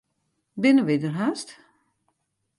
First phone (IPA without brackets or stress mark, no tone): b